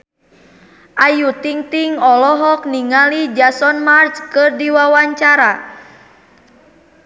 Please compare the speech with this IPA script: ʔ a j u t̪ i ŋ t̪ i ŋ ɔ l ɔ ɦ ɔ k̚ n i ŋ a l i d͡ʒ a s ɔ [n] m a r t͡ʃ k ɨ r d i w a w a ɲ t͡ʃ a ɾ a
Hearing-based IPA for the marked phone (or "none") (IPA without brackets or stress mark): n